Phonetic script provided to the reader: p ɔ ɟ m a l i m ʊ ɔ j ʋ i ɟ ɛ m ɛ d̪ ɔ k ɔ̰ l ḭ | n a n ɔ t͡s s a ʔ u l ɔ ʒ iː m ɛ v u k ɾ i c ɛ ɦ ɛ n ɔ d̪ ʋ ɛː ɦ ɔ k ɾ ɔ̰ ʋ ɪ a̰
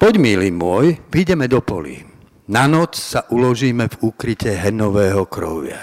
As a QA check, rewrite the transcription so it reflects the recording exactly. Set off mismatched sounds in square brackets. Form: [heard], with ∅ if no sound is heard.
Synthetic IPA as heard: p ɔ ɟ m [i] l i m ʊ ɔ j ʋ i ɟ ɛ m ɛ d̪ ɔ [p] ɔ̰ l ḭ | n a n ɔ t͡s s a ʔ u l ɔ ʒ iː m ɛ v u k ɾ i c ɛ ɦ ɛ n ɔ [∅] ʋ ɛː ɦ ɔ k ɾ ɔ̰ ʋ ɪ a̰